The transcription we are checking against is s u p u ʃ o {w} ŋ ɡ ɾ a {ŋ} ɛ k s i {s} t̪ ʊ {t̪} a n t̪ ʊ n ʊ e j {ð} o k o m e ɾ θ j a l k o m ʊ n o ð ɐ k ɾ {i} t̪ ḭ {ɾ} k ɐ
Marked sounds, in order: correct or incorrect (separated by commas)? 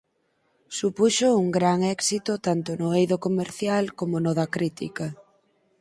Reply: incorrect, correct, incorrect, correct, correct, correct, incorrect